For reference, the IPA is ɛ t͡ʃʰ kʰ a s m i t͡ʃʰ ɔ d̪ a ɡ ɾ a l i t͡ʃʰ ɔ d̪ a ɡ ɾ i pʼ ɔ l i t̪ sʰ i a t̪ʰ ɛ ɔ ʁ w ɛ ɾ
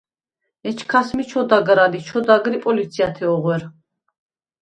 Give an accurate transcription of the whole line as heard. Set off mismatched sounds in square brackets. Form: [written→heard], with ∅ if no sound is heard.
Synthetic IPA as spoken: ɛ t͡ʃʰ kʰ a s m i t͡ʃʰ ɔ d̪ a ɡ ɾ a l i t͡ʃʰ ɔ d̪ a ɡ ɾ i pʼ ɔ l i t̪ sʰ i a t̪ʰ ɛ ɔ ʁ w ɛ ɾ

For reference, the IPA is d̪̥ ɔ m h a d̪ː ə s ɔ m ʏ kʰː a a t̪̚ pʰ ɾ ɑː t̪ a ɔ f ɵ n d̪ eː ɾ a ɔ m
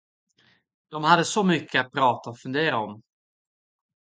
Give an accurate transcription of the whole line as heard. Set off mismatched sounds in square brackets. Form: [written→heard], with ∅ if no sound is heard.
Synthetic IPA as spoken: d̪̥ ɔ m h a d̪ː ə s ɔ m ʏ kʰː [a→ə] a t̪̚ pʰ ɾ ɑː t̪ a ɔ f ɵ n d̪ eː ɾ a ɔ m

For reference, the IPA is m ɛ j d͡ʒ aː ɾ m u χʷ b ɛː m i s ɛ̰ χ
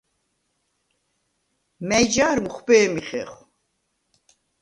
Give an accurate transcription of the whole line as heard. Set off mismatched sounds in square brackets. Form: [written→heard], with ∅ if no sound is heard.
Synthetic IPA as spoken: m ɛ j d͡ʒ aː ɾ m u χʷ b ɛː m i [s→χ] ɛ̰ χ

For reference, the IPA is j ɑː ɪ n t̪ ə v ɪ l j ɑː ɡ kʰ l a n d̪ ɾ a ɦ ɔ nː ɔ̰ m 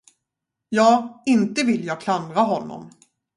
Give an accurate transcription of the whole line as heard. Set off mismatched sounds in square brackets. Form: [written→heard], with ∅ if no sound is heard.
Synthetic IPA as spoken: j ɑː ɪ n t̪ ə v ɪ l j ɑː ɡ kʰ l a n d̪ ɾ a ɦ ɔ nː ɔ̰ m

